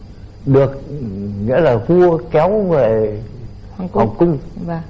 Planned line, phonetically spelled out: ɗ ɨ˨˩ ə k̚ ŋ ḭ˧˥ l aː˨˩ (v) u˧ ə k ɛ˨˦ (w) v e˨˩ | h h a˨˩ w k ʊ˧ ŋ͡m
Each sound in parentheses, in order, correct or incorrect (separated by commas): correct, correct